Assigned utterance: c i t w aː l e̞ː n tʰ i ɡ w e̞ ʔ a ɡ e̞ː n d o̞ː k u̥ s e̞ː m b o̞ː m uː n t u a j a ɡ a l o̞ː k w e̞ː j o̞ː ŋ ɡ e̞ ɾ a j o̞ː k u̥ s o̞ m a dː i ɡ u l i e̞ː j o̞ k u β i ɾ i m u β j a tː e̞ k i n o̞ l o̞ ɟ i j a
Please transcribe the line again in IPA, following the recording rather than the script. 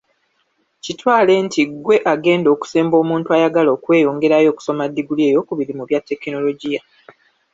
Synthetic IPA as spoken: c i t w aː l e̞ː n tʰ i ɡ w e̞ ʔ a ɡ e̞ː n d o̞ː k u̥ s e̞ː m b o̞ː m uː n t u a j a ɡ a l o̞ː k w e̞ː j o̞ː ŋ ɡ e̞ ɾ a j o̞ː k u̥ s o̞ m a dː i ɡ u l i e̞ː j o̞ k u β i ɾ i m u β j a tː e̞ k i n o̞ l o̞ ɟ i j a